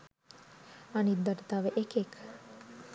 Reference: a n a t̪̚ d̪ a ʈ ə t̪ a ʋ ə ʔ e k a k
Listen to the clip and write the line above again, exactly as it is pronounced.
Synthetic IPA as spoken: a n i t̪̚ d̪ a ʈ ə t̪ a ʋ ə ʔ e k e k